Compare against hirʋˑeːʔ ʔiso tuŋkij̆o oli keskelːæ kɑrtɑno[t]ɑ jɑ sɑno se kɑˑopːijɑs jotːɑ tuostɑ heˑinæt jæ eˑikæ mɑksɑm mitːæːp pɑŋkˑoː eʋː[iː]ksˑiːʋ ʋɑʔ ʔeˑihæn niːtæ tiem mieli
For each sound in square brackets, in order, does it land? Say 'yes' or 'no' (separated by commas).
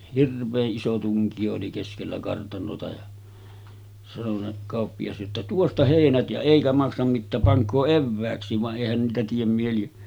yes, no